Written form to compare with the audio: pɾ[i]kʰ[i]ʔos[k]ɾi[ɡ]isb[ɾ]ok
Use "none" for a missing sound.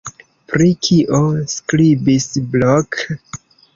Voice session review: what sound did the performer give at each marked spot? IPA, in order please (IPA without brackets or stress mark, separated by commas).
i, i, k, b, l